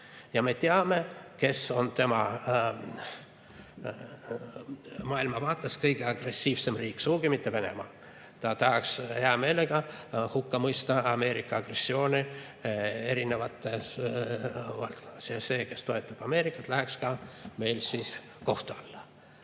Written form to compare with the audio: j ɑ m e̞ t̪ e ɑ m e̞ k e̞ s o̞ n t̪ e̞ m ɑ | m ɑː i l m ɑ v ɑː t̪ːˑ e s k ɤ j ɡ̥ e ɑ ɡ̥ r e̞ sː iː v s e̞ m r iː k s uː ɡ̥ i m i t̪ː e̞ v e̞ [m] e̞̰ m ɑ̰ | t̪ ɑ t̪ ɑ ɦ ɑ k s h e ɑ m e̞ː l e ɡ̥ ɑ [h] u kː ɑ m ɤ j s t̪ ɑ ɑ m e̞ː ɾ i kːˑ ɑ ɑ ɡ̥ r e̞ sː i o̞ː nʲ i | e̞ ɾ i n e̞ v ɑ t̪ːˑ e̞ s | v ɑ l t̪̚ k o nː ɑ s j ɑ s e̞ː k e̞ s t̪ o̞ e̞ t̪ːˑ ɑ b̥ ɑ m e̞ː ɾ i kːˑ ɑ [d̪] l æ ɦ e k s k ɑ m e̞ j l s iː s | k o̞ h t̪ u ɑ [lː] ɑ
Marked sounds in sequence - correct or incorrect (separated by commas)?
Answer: incorrect, correct, incorrect, correct